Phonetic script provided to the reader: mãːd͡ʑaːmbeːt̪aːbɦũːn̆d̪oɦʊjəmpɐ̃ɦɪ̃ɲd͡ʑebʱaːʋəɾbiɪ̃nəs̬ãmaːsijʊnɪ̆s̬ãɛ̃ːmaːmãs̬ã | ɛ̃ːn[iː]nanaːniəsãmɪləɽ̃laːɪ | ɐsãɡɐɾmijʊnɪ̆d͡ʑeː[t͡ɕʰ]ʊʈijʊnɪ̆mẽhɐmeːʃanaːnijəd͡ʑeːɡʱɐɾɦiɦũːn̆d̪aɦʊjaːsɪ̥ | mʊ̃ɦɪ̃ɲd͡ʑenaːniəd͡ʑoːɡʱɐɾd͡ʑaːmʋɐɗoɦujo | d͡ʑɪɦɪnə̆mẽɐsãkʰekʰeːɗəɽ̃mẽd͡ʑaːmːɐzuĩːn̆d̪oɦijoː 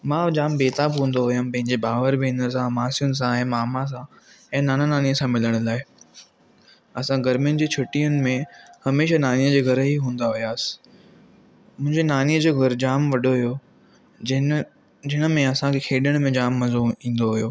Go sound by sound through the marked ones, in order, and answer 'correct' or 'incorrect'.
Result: incorrect: aː, correct

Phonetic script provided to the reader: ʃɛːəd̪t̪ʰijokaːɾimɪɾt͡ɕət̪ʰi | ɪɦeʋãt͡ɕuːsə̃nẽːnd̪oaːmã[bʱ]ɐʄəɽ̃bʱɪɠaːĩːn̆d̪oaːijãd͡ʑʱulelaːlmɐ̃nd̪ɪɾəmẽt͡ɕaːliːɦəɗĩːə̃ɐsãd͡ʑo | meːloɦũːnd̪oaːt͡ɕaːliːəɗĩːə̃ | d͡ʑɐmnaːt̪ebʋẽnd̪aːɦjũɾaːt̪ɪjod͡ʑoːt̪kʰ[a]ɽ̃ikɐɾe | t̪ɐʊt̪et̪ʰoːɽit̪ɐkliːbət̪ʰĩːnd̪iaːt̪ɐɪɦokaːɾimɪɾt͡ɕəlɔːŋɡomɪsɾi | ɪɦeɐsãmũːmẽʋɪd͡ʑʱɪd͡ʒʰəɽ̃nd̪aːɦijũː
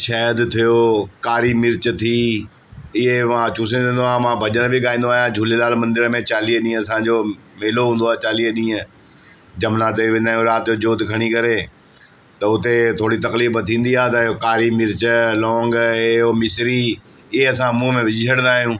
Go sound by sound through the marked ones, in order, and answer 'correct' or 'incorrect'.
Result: correct, incorrect: ɐ

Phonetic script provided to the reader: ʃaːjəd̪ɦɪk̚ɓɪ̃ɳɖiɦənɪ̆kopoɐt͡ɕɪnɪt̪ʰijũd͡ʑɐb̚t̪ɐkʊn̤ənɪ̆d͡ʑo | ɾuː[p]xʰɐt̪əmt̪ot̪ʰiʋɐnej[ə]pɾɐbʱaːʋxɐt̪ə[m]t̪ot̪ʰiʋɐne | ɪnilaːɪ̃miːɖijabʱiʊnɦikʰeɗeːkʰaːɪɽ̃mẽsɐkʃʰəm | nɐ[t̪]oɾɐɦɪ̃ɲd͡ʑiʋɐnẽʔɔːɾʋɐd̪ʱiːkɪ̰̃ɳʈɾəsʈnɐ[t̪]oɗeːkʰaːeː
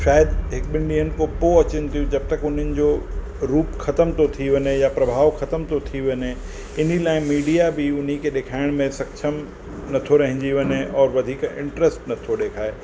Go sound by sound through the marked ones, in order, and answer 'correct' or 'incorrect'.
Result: correct, incorrect: a, correct, incorrect: t̪ʰ, incorrect: t̪ʰ

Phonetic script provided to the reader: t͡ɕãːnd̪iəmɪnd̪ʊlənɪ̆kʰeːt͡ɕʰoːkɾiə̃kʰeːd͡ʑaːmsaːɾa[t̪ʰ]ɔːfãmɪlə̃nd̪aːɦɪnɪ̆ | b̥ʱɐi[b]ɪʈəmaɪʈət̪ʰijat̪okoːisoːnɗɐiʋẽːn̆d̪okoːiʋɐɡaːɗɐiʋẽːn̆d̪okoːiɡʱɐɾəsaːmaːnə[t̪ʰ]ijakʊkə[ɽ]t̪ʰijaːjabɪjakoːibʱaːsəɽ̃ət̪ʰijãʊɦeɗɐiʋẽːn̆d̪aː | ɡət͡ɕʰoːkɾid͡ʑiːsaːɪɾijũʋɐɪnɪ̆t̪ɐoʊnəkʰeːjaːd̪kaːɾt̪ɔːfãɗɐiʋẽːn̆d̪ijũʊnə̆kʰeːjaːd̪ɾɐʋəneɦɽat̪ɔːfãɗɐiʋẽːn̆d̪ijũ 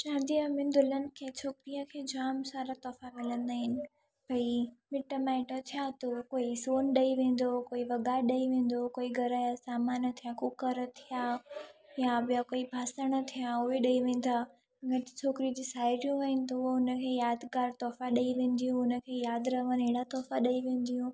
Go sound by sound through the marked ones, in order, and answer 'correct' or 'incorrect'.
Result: incorrect: t̪, incorrect: m, correct, incorrect: ɾ

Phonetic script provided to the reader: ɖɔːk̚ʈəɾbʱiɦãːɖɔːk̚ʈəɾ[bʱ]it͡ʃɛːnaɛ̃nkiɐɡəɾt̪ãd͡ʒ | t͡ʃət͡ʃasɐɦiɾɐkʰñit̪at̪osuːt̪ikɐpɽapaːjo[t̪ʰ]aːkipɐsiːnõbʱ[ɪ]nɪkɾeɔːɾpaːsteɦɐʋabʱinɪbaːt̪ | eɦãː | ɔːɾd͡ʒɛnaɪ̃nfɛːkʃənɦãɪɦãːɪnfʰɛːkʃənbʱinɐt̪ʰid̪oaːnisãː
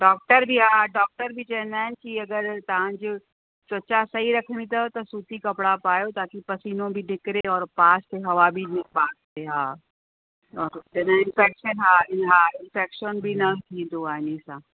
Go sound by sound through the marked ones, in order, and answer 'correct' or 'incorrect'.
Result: correct, incorrect: t̪, incorrect: i

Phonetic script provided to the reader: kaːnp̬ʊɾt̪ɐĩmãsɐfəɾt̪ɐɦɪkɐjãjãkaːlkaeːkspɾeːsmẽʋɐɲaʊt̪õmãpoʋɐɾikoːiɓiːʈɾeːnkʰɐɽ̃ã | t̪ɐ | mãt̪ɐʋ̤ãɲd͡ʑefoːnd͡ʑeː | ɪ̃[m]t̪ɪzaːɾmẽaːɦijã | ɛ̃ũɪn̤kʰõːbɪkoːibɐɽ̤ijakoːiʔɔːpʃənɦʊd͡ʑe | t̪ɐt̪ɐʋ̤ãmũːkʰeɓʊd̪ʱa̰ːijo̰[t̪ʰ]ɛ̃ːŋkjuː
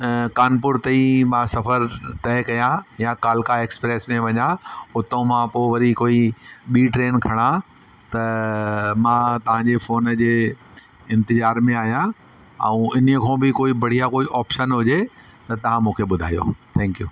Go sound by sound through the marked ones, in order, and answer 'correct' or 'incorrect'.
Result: incorrect: n, correct

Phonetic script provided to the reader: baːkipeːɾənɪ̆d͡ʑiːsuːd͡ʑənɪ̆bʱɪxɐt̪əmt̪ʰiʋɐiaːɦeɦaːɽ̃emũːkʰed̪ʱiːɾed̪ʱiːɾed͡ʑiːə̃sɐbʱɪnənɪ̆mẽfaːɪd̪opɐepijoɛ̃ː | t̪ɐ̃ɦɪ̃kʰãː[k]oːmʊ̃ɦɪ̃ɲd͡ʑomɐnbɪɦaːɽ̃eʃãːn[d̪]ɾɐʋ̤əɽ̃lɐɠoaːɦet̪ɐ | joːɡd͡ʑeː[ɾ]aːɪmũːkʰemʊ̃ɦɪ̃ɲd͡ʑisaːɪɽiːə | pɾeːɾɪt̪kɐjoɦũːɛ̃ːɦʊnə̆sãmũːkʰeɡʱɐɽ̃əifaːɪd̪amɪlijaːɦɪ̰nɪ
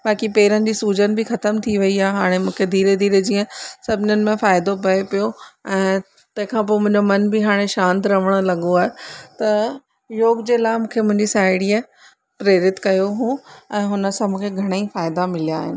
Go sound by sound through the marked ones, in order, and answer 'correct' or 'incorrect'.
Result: incorrect: p, incorrect: t̪, incorrect: l

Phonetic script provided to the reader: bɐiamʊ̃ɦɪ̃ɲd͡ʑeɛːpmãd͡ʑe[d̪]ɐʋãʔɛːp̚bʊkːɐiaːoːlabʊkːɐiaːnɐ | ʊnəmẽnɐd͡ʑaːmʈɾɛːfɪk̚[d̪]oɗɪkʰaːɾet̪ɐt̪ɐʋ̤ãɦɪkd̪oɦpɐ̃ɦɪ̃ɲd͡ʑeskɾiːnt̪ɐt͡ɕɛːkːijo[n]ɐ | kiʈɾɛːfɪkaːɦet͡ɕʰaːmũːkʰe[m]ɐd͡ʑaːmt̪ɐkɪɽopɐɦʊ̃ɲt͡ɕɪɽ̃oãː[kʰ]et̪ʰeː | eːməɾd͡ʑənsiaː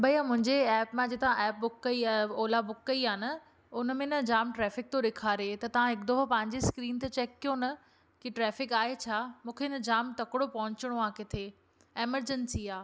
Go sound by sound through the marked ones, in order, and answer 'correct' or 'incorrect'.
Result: incorrect: t̪, incorrect: t̪, correct, incorrect: n, incorrect: k

